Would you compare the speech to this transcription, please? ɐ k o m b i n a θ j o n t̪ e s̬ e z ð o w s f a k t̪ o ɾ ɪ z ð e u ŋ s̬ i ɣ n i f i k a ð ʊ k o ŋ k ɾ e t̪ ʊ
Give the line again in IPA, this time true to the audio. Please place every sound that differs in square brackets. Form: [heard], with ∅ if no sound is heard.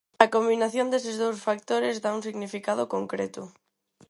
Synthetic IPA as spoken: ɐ k o m b i n a θ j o n [d̪] e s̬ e z ð o w s f a k t̪ o ɾ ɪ z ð [a] u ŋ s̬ i ɣ n i f i k a ð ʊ k o ŋ k ɾ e t̪ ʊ